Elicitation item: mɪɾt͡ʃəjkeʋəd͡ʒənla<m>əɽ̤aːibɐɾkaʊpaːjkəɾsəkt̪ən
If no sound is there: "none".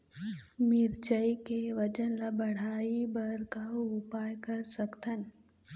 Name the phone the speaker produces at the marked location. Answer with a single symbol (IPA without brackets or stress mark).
b